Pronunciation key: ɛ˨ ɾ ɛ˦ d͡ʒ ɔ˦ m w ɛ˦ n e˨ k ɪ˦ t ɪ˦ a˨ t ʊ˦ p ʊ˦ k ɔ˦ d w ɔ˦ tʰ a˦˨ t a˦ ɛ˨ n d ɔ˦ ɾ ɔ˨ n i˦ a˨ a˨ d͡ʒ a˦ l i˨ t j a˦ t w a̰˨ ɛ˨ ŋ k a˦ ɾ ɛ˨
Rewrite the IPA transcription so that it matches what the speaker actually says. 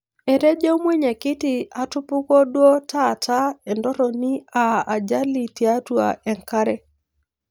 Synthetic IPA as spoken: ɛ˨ ɾ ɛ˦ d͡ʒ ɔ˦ m w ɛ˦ ɲ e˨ k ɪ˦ t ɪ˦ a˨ t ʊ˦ p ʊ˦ k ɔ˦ d w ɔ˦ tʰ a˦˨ t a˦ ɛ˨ n d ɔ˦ ɾ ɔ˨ n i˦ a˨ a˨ d͡ʒ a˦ l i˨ t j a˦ t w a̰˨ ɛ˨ ŋ k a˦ ɾ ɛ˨